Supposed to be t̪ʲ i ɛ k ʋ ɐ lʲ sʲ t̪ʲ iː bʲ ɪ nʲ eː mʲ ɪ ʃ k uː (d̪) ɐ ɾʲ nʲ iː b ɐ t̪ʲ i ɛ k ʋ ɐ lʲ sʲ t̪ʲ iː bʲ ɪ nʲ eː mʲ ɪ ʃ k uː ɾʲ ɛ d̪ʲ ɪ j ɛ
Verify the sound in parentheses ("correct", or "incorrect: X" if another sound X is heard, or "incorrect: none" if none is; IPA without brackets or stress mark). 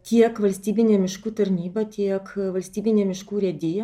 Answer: incorrect: t̪